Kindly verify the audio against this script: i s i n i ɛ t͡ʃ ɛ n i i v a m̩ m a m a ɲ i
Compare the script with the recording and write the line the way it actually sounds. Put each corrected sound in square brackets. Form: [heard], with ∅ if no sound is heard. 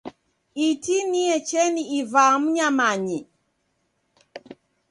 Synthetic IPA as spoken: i [t] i n i ɛ t͡ʃ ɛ n i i v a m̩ [ɲ] a m a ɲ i